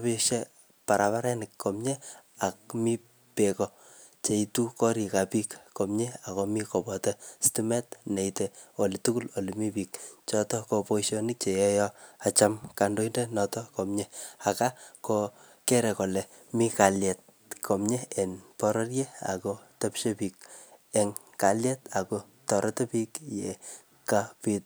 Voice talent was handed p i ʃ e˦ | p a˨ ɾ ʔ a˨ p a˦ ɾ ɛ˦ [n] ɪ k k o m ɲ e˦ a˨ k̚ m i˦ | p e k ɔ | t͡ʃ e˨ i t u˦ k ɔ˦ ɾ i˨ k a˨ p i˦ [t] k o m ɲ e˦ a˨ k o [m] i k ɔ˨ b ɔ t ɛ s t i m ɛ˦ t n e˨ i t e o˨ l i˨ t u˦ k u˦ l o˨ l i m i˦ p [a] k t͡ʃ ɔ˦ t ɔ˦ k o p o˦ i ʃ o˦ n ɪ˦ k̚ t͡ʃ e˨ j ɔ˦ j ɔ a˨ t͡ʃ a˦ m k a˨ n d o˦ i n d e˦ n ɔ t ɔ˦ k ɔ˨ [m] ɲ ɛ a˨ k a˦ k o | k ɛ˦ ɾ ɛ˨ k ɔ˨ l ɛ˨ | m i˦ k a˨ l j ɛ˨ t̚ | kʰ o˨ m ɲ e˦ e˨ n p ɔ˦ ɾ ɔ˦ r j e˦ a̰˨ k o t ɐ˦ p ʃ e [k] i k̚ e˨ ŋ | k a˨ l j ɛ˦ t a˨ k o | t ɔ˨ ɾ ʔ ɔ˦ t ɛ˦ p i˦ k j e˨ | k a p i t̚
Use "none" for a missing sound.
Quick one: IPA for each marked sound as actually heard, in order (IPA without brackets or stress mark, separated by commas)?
n, k, m, i, m, p